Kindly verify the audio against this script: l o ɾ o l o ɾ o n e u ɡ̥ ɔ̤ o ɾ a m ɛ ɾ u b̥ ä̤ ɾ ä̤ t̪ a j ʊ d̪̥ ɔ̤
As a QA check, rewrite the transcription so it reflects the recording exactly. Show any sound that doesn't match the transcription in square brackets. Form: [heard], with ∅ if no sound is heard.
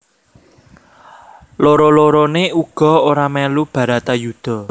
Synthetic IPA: l o ɾ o l o ɾ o n e u ɡ̥ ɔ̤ o ɾ a m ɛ [l] u b̥ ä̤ ɾ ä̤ t̪ a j [u] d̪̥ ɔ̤